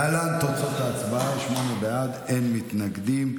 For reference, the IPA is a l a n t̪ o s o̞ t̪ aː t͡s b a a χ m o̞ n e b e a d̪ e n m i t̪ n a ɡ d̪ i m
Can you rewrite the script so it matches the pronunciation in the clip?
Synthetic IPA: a l a n t̪ o t͡s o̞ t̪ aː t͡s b a a ʃ m o̞ n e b e a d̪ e n m i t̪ n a ɡ d̪ i m